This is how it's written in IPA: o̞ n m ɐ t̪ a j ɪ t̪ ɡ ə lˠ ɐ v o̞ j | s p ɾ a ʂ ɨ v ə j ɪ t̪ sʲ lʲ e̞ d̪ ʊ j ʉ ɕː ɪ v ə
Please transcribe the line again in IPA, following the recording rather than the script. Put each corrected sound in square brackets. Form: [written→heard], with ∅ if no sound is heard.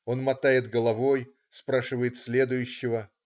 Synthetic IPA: o̞ n m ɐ t̪ a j ɪ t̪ ɡ ə lˠ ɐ v o̞ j | s p ɾ a ʂ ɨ v ə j ɪ t̪ sʲ lʲ e̞ d̪ ʊ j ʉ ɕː ɪ v ə

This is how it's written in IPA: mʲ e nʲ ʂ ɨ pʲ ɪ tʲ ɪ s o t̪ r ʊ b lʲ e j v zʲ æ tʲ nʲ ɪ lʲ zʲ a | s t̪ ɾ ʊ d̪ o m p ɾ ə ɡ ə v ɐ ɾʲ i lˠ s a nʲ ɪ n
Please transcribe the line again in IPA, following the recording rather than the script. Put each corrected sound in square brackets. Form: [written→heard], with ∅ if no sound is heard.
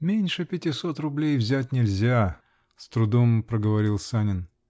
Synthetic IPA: mʲ e nʲ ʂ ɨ pʲ ɪ tʲ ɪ s o t̪ r ʊ b lʲ e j v zʲ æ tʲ nʲ ɪ lʲ zʲ a | s t̪ ɾ ʊ d̪ o m p ɾ ə ɡ ə v ɐ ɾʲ i lˠ s a nʲ ɪ n

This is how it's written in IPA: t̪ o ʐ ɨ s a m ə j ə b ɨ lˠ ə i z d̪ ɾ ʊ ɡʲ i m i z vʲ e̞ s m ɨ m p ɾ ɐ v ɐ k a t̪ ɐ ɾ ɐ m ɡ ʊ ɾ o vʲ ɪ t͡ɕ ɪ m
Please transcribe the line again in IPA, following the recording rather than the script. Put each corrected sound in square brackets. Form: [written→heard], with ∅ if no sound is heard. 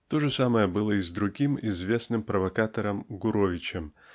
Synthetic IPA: t̪ o ʐ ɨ s a m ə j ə b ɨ lˠ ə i z d̪ ɾ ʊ ɡʲ i m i z vʲ e̞ s [m→n] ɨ m p ɾ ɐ v ɐ k a t̪ ɐ ɾ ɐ m ɡ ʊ ɾ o vʲ ɪ t͡ɕ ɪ m

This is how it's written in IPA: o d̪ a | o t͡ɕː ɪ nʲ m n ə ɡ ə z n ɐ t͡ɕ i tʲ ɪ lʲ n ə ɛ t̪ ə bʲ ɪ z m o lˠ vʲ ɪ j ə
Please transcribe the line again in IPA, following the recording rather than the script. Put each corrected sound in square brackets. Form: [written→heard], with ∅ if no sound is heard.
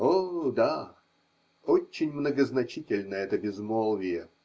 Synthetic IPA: o d̪ a | o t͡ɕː ɪ nʲ m n ə ɡ ə z n ɐ t͡ɕ i tʲ ɪ lʲ n ə ɛ t̪ ə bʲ ɪ z m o lˠ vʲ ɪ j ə

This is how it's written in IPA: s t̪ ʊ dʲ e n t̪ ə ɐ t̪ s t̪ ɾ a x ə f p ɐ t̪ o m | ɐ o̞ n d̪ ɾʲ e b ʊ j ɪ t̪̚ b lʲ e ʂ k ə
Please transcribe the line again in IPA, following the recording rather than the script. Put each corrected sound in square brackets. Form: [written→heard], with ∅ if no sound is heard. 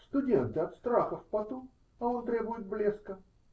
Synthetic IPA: s t̪ ʊ dʲ e n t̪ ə ɐ t̪ s t̪ ɾ a x ə f p ɐ t̪ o m | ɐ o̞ n [d̪→t̪] ɾʲ e b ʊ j ɪ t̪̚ b lʲ e [ʂ→s] k ə

